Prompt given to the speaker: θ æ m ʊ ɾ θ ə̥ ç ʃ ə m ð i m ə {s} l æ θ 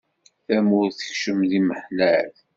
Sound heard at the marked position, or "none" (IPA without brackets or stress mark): ħ